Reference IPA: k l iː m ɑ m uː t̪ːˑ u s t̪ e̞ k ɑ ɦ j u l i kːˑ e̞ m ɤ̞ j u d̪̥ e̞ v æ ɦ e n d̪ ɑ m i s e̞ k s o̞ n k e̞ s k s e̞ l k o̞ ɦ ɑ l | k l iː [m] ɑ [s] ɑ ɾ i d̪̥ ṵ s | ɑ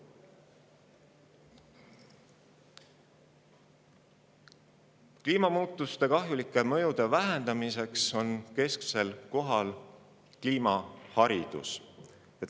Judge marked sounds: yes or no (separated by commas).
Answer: yes, no